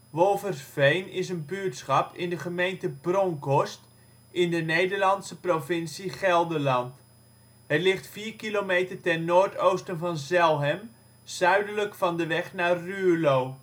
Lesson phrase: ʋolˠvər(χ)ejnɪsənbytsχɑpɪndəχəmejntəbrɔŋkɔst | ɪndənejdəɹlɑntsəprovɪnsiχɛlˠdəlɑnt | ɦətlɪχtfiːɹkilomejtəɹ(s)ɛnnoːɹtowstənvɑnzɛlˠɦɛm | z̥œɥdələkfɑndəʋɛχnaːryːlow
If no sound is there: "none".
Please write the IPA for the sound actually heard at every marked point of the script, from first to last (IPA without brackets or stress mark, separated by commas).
f, t